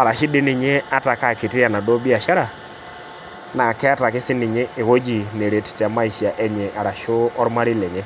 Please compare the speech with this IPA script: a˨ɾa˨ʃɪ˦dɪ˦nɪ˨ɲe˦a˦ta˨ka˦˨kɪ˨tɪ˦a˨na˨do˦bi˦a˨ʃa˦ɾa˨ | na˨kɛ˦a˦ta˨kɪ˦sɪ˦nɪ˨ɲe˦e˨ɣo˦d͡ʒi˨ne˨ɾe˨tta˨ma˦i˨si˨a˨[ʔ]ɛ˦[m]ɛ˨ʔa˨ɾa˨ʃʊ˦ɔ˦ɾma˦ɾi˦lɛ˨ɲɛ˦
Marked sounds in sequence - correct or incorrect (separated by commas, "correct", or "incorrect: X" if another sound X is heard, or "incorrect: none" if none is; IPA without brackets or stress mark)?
correct, incorrect: ɲ